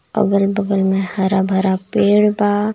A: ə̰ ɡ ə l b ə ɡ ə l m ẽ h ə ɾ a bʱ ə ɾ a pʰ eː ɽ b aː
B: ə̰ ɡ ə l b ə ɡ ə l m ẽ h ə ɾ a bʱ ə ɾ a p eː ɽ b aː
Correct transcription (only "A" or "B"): B